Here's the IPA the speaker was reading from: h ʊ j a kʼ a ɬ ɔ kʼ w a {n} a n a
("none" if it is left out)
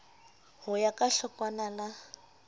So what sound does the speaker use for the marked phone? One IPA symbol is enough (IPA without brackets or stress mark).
n